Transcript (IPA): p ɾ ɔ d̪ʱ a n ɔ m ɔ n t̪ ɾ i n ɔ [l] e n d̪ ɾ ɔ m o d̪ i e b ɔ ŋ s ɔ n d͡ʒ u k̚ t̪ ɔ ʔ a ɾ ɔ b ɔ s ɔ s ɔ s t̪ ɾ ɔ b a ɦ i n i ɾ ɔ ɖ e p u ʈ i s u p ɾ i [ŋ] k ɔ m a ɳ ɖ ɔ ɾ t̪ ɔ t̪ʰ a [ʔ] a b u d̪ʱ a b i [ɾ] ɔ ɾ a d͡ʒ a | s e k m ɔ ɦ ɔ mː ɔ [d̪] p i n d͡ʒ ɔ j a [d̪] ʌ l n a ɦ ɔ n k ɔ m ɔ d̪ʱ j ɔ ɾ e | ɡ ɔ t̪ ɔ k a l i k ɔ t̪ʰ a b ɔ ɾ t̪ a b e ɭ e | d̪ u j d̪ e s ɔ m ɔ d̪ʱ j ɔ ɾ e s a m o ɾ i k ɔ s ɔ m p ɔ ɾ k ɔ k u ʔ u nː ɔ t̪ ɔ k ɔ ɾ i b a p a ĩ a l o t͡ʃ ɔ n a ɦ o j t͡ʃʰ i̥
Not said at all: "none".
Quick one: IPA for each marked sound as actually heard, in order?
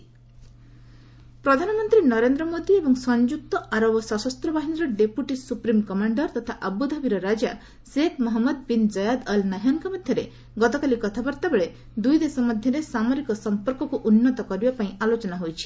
ɾ, m, ʔ, ɾ, d̪, d̪

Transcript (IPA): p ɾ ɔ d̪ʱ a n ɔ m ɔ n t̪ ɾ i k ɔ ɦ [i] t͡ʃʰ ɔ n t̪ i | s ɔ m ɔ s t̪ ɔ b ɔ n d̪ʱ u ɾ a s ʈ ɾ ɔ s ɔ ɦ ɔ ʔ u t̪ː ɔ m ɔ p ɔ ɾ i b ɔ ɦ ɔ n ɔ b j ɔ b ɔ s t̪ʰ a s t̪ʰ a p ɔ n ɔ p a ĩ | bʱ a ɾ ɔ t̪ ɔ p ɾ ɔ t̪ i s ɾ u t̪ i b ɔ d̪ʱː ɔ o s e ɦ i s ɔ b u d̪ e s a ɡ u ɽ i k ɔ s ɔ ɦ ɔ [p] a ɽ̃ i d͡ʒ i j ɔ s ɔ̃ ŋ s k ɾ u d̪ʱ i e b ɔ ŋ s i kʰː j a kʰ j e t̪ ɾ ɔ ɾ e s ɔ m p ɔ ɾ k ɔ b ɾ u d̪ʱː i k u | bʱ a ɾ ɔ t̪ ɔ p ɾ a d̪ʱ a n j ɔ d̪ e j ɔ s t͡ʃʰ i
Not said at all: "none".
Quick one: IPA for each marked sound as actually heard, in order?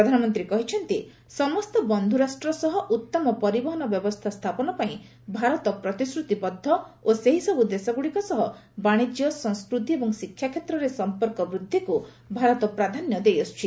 i, b

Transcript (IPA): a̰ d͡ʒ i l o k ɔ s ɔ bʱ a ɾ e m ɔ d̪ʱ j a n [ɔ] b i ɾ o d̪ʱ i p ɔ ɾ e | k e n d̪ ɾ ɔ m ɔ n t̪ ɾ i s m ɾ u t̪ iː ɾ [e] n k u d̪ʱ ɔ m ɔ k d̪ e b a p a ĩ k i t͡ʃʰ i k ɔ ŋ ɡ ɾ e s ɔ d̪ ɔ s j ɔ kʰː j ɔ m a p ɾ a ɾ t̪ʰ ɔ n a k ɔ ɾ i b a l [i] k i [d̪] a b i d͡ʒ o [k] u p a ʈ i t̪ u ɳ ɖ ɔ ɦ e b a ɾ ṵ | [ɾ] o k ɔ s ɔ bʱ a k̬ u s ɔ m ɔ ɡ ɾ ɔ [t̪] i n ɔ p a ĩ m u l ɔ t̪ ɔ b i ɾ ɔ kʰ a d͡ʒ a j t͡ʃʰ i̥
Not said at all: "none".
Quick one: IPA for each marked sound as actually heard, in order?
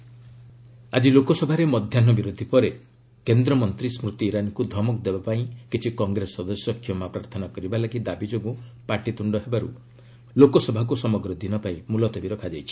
ɔ, a, a, d̪, ɡ, l, d̪

